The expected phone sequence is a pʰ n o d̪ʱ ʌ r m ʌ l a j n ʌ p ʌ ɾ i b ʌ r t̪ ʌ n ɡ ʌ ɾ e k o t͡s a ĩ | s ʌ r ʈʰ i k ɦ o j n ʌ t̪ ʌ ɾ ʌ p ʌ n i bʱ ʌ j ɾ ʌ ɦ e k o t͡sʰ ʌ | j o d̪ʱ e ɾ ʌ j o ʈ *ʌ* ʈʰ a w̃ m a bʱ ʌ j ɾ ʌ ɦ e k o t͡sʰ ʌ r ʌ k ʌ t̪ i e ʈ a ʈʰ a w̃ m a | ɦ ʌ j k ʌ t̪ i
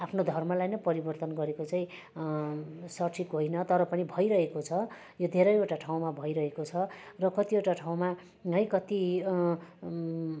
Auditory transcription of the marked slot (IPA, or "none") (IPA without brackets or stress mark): a